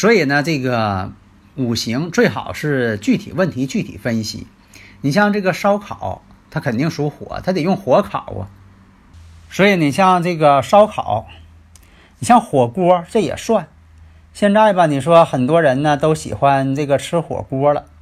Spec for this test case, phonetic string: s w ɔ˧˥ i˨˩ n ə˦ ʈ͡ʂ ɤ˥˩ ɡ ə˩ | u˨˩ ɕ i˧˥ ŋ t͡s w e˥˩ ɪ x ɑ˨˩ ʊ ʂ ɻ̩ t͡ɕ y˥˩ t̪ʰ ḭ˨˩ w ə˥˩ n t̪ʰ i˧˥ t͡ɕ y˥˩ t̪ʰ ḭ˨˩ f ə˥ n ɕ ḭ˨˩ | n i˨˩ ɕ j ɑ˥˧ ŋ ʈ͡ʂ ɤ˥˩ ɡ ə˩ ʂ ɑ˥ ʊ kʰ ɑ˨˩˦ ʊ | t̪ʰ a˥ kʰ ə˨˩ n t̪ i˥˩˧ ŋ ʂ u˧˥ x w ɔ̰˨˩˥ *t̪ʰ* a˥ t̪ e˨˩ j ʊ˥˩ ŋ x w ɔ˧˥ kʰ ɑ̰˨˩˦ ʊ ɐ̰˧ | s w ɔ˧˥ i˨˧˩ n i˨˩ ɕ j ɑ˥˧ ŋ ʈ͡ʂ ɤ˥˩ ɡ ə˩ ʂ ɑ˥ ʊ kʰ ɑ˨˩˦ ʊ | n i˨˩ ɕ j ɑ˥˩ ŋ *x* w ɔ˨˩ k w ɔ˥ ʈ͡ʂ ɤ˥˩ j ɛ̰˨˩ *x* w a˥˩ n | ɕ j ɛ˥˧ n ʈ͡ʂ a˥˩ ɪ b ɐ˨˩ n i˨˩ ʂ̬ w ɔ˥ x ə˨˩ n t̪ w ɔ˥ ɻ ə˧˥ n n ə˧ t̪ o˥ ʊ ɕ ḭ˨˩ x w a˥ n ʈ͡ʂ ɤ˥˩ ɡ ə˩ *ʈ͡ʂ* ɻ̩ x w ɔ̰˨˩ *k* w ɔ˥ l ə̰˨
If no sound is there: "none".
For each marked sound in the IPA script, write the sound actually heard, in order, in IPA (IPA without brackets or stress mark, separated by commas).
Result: t̪ʰ, x, ʂ, ʈ͡ʂʰ, k